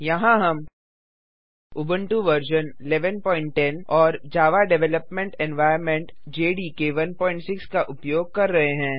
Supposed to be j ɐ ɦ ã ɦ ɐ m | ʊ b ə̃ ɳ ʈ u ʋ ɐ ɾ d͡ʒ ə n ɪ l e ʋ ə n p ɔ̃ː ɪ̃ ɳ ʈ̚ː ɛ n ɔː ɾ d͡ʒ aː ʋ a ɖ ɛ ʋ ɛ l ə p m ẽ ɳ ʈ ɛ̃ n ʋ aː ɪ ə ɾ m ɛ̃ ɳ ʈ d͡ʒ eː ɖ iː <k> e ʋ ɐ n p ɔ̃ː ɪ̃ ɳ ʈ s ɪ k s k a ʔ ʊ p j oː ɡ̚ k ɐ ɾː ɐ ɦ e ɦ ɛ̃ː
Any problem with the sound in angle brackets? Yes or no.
no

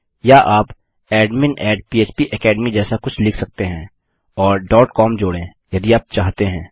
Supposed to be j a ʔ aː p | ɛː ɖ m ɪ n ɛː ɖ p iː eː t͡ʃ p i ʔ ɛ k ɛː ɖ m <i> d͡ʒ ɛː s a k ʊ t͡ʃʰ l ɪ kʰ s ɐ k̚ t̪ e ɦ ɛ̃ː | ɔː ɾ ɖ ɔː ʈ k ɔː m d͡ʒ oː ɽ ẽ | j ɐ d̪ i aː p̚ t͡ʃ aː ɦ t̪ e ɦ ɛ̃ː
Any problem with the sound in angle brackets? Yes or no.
no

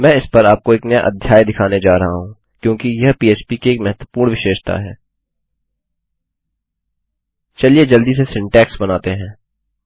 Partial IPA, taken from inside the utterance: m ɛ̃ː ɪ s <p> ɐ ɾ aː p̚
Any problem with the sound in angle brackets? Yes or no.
no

